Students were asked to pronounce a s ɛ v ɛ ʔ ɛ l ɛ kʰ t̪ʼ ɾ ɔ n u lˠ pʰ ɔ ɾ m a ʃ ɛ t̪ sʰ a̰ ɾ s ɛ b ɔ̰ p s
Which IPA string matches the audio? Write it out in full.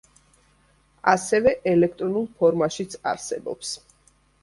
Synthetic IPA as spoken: a s ɛ v ɛ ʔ ɛ l ɛ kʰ t̪ʼ ɾ ɔ n u lˠ pʰ ɔ ɾ m a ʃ i t̪ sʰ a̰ ɾ s ɛ b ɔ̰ p s